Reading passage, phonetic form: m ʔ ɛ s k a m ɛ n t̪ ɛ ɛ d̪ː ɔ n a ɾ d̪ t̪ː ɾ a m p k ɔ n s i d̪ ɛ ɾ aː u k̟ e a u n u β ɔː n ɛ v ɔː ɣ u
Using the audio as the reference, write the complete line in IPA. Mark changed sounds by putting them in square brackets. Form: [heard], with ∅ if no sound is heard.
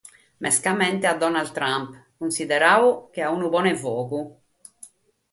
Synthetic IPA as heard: m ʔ ɛ s k a m ɛ n t̪ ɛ [a] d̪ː ɔ n a [l] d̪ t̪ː ɾ a m p k [u] n s i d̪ ɛ ɾ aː u k̟ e a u n u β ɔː n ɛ v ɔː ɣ u